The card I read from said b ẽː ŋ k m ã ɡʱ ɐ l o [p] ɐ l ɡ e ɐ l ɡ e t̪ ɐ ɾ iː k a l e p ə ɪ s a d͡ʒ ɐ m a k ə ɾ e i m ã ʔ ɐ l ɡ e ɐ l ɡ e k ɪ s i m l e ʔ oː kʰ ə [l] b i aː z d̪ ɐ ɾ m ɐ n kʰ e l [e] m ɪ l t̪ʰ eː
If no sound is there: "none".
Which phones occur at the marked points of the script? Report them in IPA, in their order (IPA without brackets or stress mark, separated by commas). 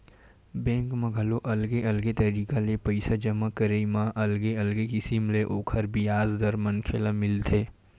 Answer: ʔ, ɾ, a